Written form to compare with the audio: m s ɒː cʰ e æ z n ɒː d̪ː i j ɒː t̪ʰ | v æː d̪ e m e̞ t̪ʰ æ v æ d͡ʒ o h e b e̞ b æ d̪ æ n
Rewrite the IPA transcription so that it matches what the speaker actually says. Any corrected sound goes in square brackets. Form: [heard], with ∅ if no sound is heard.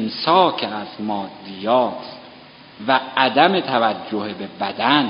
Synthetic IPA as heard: m s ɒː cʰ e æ z [m] ɒː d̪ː i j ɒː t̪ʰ | v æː d̪ [æ] m e̞ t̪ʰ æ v æ [d͡ʒː] o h e b e̞ b æ d̪ æ n